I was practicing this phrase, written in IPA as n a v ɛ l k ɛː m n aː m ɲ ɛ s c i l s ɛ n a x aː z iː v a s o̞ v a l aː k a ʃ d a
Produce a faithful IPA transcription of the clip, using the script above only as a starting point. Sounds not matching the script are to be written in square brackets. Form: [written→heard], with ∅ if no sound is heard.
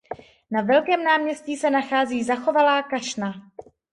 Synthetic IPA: n a v ɛ l k ɛː m n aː m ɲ ɛ s c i [l→∅] s ɛ n a x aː z iː [v→z] a [s→x] o̞ v a l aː k a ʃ [d→n] a